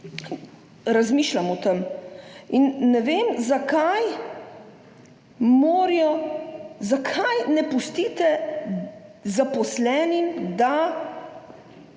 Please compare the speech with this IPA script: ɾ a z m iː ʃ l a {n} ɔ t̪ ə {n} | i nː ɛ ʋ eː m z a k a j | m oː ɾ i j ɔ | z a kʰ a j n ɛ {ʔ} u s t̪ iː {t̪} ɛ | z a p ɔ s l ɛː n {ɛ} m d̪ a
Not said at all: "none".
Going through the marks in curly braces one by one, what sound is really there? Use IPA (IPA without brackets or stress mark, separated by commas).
m, m, p, t̪, i